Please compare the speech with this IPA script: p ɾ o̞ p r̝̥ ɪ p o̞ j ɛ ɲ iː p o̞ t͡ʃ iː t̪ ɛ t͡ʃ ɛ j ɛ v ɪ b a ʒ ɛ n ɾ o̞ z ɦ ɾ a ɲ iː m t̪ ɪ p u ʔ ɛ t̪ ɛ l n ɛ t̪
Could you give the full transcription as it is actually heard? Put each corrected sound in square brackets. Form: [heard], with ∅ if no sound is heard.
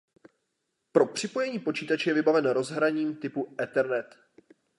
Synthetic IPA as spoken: p ɾ o̞ p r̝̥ ɪ p o̞ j ɛ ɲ iː p o̞ t͡ʃ iː t̪ [a] t͡ʃ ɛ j ɛ v ɪ b a [v] ɛ n ɾ o̞ z ɦ ɾ a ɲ iː m t̪ ɪ p u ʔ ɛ t̪ ɛ [ɾ] n ɛ t̪